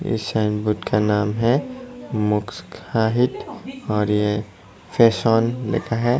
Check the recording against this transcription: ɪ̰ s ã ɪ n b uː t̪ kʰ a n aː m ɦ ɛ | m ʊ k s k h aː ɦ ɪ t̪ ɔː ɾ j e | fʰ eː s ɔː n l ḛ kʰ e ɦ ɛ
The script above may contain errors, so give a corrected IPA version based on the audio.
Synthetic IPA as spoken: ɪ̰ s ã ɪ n b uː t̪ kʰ a n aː m ɦ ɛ | m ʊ k s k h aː ɦ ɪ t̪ ɔː ɾ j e | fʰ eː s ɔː n l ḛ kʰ a ɦ ɛ

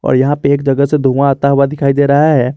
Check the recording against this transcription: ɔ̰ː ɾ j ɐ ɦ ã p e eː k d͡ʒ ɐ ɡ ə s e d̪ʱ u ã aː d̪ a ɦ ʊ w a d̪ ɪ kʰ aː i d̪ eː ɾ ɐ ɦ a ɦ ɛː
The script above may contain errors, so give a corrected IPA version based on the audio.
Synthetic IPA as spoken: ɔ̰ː ɾ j ɐ ɦ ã p e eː k d͡ʒ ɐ ɡ ə s e d̪ʱ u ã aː t̪ a ɦ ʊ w a d̪ ɪ kʰ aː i d̪ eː ɾ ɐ ɦ a ɦ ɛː

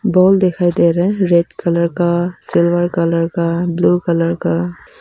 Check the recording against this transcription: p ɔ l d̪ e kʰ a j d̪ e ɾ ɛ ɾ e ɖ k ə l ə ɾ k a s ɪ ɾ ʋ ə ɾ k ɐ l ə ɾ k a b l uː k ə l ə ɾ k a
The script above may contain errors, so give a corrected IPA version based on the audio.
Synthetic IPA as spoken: b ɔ l d̪ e kʰ a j d̪ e ɾ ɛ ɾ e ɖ k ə l ə ɾ k a s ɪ l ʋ ə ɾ k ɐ l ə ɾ k a b l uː k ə l ə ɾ k a

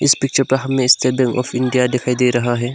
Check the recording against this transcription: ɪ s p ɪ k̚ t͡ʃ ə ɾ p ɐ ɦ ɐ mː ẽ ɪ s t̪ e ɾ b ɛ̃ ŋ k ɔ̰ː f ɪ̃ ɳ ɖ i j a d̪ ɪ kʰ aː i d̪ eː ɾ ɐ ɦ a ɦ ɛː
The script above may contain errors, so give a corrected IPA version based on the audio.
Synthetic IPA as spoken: ɪ s p ɪ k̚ t͡ʃ ə ɾ p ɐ ɦ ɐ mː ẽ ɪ s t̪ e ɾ b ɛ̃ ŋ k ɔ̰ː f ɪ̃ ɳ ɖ i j a d̪ ɪ kʰ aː i d̪ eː ɾ ɐ ɦ a ɦ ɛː

